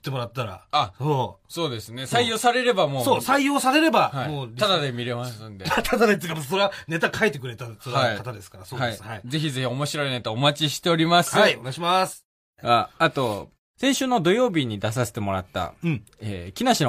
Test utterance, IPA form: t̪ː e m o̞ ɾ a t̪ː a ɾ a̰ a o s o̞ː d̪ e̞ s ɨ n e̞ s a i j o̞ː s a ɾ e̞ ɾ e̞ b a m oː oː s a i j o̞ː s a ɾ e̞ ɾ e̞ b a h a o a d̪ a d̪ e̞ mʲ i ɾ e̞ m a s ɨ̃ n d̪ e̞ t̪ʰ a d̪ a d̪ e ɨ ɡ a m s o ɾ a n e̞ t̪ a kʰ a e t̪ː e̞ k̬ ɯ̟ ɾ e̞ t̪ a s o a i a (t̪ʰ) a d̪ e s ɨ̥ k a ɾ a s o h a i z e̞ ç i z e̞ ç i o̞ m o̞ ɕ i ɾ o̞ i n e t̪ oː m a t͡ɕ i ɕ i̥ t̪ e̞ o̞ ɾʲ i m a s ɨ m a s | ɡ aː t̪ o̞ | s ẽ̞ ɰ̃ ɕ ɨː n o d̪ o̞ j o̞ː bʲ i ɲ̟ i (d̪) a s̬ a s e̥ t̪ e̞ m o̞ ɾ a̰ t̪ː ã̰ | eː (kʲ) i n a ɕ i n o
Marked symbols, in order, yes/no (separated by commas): no, yes, yes